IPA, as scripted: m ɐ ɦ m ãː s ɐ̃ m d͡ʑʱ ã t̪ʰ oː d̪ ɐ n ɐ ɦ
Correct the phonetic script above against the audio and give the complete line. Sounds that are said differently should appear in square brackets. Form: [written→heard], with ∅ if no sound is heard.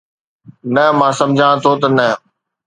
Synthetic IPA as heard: [m→n] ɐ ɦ m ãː s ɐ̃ m d͡ʑʱ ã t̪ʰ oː [d̪→t̪] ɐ n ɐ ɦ